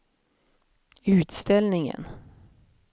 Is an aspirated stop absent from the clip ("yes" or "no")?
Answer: yes